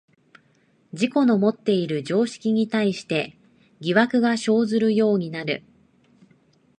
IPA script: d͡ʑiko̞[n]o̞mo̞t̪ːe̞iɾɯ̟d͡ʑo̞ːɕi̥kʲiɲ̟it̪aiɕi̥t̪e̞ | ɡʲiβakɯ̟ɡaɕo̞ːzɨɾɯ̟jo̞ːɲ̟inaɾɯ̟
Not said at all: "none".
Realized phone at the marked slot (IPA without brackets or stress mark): n